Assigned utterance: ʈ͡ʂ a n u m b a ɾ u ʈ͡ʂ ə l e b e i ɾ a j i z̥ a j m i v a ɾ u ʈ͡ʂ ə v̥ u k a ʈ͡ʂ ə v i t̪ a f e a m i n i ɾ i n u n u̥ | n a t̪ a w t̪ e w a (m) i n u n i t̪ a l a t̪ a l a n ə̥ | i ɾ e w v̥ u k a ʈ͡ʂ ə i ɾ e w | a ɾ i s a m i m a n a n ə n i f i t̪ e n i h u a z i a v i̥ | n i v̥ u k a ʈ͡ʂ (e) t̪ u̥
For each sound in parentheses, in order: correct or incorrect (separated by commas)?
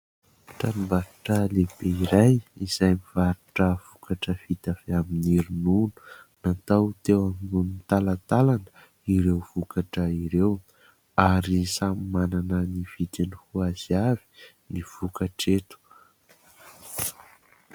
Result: correct, correct